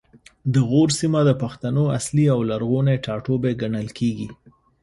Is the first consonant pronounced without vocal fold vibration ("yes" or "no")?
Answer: no